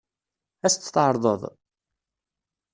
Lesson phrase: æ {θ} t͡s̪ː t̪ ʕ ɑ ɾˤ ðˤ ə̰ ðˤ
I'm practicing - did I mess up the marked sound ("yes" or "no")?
yes